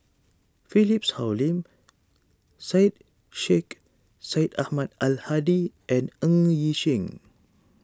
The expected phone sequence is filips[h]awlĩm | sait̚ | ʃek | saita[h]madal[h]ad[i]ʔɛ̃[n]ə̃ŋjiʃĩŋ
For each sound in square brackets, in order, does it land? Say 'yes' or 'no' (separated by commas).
yes, yes, yes, yes, yes